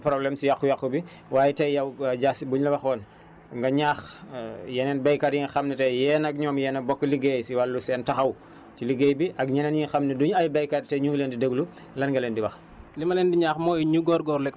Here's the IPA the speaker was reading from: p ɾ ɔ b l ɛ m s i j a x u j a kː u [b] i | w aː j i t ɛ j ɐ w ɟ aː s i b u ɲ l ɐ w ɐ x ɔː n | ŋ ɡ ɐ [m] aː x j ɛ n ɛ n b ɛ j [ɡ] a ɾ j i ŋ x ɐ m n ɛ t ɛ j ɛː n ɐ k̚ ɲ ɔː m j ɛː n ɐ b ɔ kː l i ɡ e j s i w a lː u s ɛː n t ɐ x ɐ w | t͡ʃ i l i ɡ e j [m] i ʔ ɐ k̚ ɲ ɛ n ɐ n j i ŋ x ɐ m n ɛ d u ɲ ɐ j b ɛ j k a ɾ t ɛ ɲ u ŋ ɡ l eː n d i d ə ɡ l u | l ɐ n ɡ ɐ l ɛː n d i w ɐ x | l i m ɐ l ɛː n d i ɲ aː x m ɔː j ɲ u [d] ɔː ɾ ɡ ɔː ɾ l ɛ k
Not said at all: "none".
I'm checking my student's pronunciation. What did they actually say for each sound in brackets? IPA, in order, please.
b, ɲ, k, b, ɡ

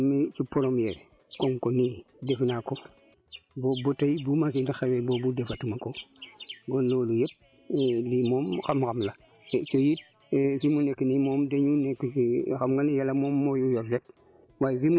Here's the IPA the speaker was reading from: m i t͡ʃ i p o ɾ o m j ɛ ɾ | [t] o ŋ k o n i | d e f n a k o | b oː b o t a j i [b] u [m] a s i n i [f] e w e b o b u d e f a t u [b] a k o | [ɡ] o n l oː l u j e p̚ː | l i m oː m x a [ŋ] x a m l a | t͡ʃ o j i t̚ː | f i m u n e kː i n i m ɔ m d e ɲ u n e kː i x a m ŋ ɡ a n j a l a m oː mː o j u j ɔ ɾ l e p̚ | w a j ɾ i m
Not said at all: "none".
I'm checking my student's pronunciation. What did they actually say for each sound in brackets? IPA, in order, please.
k, b, m, x, m, ɡ, m

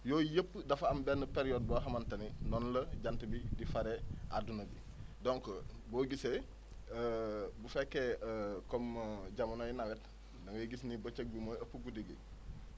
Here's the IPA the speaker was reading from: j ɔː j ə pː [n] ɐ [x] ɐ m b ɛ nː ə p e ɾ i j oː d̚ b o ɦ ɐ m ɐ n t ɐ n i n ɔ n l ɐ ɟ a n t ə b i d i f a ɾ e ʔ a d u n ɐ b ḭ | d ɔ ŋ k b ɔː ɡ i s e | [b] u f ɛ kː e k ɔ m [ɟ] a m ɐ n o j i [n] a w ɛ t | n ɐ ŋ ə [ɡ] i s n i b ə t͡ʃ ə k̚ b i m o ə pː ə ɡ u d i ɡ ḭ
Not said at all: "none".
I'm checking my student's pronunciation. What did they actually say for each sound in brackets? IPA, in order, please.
d, f, b, ɟ, n, ɡ

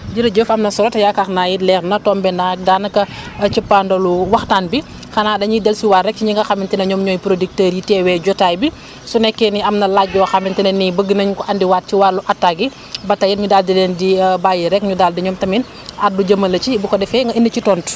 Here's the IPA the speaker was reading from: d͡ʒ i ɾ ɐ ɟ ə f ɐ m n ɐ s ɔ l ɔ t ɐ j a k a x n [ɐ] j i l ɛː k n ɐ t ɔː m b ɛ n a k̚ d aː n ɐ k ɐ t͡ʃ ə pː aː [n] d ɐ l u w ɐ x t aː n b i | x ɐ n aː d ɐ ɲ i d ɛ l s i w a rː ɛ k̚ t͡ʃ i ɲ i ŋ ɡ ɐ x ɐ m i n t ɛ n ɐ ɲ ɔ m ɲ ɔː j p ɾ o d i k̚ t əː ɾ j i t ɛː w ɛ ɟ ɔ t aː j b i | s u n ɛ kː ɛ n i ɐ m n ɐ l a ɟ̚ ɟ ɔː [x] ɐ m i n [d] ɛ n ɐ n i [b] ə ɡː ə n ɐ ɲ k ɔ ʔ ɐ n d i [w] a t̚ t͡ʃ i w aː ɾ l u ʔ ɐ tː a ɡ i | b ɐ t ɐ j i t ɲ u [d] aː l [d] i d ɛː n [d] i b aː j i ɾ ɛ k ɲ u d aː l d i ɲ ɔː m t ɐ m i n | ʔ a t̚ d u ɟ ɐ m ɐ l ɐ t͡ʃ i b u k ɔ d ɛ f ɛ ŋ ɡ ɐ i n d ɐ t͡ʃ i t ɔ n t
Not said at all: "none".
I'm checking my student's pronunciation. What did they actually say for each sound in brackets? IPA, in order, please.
a, n, x, t, b, w, d, d, d

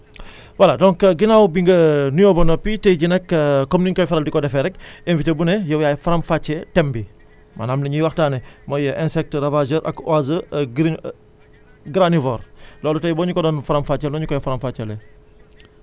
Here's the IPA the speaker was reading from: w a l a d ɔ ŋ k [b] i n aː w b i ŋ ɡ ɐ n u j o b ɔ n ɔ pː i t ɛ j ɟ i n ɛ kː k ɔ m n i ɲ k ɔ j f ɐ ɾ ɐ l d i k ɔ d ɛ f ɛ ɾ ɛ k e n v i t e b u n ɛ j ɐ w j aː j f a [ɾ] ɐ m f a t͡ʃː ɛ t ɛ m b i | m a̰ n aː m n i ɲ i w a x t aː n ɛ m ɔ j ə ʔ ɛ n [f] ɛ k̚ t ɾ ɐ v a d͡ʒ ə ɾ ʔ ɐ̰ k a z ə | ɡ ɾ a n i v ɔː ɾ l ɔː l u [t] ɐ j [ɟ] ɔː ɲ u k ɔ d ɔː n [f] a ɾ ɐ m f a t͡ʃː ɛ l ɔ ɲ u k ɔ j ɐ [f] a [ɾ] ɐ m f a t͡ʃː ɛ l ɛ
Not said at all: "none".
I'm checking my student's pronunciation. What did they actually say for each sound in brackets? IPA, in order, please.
ɡ, ɾ, s, t, b, f, f, ɾ

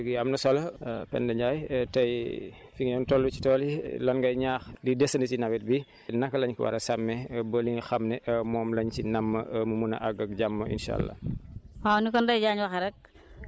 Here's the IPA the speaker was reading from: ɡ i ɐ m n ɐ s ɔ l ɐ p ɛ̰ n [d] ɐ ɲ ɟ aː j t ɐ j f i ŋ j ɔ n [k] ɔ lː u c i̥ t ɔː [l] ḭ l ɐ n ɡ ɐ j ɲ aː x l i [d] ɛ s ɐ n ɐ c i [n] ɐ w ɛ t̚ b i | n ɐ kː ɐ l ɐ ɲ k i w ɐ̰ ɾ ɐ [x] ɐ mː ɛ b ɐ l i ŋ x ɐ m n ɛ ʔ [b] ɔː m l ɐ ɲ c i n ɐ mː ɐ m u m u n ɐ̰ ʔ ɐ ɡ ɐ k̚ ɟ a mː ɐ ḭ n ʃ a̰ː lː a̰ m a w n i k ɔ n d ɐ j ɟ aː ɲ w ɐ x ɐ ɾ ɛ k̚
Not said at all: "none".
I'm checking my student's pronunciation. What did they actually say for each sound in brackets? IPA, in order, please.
d, t, l, d, n, s, m

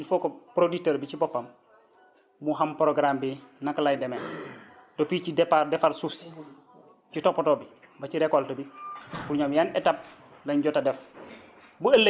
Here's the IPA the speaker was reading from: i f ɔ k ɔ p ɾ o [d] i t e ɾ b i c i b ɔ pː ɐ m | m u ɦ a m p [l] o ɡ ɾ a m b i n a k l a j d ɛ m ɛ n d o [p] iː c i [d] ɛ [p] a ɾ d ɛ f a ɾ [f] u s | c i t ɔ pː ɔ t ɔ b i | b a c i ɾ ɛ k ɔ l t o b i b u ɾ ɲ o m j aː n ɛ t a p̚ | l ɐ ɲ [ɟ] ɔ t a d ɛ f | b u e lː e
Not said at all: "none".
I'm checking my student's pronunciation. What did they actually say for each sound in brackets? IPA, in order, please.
d, ɾ, p, d, p, s, ɟ

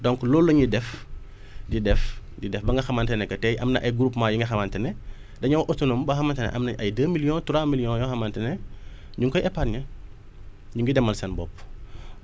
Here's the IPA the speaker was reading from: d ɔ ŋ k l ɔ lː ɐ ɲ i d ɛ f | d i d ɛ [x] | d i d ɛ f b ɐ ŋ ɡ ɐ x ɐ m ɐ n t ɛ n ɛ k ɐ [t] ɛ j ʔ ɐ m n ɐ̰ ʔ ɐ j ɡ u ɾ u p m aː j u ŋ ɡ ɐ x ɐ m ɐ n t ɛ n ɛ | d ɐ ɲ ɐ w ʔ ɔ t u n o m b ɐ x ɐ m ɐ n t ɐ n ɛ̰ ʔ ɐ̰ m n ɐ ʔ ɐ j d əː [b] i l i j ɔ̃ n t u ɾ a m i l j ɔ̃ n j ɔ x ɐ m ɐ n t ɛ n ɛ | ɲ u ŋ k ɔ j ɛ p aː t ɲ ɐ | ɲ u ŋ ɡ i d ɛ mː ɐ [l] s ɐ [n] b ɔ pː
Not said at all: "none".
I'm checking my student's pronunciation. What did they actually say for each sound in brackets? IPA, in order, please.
f, t, m, l, n

